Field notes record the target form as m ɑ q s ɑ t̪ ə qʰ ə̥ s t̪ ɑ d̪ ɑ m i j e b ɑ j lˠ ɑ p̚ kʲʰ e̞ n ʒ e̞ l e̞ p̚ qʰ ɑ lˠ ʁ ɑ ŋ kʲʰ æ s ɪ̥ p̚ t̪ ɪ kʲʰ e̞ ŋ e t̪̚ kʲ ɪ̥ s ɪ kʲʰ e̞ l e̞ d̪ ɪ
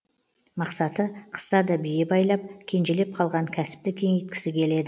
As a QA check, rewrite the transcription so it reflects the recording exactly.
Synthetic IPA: m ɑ q s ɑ t̪ ə qʰ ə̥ s t̪ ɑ d̪ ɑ b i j e b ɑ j lˠ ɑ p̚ kʲʰ e̞ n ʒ e̞ l e̞ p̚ qʰ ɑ lˠ ʁ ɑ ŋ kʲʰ æ s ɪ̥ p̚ t̪ ɪ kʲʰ e̞ ŋ e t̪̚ kʲ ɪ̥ s ɪ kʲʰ e̞ l e̞ d̪ ɪ